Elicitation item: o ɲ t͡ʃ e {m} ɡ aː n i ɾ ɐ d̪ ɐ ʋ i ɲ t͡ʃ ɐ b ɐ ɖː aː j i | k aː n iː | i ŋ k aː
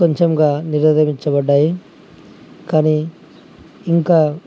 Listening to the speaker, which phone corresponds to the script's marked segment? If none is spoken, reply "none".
m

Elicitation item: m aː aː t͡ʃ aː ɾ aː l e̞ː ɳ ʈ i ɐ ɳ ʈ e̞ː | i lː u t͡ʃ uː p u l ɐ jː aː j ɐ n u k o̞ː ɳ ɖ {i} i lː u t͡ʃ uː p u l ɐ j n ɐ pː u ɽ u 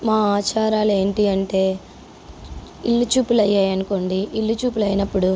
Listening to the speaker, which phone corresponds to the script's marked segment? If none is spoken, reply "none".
i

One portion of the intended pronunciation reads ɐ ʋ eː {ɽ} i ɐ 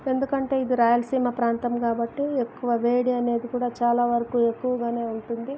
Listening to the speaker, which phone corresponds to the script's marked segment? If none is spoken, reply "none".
ɽ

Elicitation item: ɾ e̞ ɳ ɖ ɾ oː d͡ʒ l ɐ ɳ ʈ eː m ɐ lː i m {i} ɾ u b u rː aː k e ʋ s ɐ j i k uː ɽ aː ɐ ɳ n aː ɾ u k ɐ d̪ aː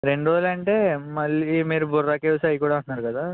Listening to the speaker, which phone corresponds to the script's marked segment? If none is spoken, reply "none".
iː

